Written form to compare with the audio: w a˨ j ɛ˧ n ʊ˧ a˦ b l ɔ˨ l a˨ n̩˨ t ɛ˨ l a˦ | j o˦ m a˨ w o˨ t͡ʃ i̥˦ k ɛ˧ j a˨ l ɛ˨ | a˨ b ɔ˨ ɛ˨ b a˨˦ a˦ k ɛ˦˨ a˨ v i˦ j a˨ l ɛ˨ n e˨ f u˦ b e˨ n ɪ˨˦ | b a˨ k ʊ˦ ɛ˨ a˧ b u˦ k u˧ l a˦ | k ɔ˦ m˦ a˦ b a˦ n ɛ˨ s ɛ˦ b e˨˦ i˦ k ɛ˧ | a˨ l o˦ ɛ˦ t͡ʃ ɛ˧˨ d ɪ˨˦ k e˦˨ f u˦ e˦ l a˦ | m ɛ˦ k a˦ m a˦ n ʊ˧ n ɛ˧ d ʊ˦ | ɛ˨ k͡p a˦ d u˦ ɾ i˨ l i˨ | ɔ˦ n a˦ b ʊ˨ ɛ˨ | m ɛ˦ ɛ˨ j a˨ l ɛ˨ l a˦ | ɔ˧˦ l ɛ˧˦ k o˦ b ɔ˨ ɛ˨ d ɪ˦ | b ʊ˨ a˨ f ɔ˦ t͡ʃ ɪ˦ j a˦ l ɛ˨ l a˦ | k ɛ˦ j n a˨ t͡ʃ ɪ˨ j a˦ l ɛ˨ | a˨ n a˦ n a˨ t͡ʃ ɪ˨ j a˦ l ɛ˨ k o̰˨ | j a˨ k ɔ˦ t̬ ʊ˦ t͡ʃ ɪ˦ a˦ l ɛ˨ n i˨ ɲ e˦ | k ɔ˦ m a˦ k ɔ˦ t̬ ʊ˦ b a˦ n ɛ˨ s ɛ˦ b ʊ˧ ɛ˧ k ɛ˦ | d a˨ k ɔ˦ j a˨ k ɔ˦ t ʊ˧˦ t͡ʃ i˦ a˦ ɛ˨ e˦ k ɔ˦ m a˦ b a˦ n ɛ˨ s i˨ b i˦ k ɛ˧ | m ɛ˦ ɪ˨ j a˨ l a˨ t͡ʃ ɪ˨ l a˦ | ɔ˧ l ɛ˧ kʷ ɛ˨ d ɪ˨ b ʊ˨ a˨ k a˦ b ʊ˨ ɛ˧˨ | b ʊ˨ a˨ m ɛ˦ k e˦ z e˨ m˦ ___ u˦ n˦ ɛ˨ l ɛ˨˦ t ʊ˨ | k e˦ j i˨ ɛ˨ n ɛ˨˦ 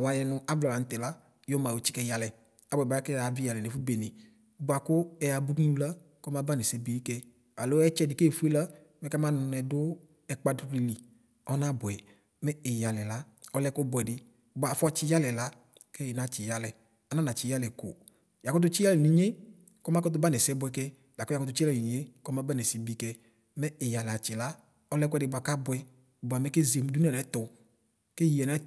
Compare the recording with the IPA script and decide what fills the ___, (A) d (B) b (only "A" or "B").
A